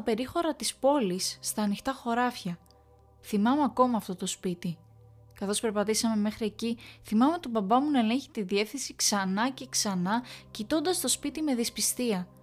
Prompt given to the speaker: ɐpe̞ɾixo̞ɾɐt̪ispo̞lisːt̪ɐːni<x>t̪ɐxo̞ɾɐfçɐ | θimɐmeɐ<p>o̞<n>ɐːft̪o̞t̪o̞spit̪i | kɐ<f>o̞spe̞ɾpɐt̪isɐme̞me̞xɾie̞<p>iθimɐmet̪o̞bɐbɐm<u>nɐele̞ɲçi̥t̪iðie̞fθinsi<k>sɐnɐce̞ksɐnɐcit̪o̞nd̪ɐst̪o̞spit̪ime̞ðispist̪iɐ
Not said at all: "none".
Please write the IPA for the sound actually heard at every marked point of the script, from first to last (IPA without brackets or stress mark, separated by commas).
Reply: x, k, m, θ, c, u, k